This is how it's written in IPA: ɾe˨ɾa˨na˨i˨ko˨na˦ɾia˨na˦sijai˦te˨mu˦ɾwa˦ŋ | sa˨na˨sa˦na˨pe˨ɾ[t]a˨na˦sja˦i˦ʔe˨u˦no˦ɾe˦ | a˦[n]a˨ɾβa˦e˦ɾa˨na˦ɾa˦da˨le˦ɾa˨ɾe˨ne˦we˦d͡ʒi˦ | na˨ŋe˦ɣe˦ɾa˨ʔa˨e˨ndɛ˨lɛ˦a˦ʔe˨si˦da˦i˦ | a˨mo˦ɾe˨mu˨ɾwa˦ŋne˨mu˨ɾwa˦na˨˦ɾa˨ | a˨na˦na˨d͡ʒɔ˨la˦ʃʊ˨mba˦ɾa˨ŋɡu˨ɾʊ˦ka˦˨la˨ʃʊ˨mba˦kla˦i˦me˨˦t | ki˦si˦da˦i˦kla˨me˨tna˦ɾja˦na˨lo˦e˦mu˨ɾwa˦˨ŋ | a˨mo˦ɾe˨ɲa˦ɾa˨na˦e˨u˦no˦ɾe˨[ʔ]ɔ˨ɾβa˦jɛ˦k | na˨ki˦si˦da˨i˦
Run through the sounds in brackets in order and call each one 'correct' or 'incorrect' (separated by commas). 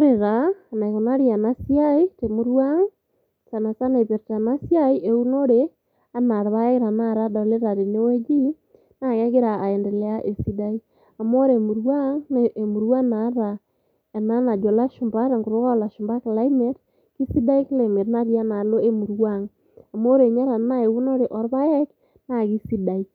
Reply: correct, correct, correct